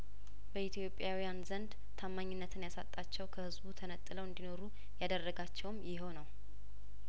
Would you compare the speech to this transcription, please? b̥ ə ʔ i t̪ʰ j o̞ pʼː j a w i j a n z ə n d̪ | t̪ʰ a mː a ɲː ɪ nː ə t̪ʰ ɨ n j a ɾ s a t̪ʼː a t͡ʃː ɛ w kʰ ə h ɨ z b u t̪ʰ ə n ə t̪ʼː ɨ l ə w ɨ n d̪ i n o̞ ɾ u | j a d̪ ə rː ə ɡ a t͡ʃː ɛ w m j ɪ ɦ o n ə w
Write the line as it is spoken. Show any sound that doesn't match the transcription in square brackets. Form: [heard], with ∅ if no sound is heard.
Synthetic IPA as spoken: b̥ ə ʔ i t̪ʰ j o̞ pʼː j a w i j a n z ə n d̪ | t̪ʰ a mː a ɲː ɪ nː ə t̪ʰ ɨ n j a [∅] s a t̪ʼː a t͡ʃː ɛ w kʰ ə h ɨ z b u t̪ʰ ə n ə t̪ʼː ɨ l ə w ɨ n d̪ i n o̞ ɾ u | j a d̪ ə rː ə ɡ a t͡ʃː ɛ w m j ɪ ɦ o n ə w